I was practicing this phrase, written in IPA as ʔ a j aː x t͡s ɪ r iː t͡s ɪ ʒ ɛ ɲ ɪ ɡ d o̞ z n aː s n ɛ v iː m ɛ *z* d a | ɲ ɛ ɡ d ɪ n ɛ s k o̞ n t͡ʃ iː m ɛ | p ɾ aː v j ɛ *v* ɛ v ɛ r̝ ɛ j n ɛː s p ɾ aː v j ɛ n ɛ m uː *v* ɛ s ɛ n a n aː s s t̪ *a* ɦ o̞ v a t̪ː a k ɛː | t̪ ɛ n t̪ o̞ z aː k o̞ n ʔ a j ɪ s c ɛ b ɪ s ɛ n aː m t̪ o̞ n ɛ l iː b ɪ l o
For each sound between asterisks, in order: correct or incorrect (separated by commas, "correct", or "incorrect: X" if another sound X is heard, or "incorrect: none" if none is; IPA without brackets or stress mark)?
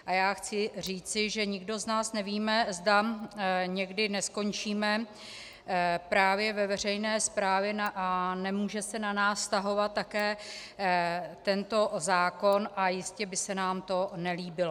correct, correct, incorrect: ʒ, correct